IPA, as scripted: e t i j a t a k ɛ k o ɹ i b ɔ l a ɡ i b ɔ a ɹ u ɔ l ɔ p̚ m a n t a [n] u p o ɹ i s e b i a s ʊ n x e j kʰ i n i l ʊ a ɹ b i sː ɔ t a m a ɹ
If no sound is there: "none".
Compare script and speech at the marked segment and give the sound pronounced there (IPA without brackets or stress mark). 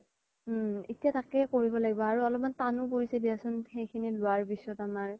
n